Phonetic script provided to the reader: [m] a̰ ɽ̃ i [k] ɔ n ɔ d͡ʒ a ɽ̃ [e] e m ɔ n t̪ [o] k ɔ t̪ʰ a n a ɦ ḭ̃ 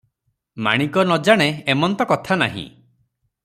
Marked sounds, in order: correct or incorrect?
correct, correct, correct, incorrect: ɔ

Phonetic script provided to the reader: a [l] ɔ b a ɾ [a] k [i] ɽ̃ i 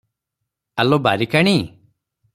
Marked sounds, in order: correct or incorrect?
correct, incorrect: i, incorrect: a

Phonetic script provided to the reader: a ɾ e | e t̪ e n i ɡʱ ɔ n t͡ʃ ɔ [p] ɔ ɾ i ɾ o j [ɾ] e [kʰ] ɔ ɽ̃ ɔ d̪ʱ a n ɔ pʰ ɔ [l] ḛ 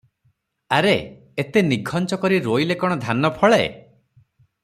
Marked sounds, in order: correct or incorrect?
incorrect: k, incorrect: l, incorrect: k, incorrect: ɭ

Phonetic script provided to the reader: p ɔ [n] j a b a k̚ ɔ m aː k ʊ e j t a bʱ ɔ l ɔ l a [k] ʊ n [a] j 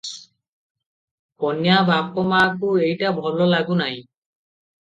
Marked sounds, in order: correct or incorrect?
correct, incorrect: ɡ, correct

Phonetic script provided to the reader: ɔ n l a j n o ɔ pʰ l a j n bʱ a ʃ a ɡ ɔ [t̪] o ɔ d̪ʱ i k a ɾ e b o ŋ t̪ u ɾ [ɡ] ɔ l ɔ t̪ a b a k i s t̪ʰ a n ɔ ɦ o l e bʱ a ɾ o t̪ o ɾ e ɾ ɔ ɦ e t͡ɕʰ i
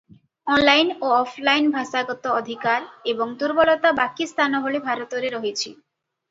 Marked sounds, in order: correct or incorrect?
correct, incorrect: b

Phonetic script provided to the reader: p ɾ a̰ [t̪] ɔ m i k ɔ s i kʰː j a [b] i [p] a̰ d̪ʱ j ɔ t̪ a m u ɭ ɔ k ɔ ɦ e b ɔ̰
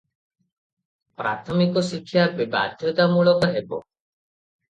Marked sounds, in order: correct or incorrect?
incorrect: t̪ʰ, correct, incorrect: b

